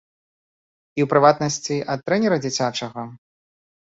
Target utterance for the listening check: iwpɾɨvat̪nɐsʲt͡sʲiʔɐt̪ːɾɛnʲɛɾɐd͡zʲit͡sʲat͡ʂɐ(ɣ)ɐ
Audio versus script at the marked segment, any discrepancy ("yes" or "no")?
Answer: no